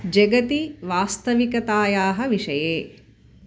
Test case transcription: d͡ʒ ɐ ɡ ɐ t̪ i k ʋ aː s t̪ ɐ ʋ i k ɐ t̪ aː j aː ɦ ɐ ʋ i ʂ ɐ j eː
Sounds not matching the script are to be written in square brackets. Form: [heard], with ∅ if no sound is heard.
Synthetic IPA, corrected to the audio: d͡ʒ ɐ ɡ ɐ t̪ i [∅] ʋ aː s t̪ ɐ ʋ i k ɐ t̪ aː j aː ɦ ɐ ʋ i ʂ ɐ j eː